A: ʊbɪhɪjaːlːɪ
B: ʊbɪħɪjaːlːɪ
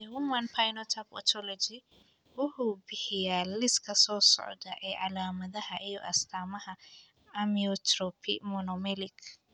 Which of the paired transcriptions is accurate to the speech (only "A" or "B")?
A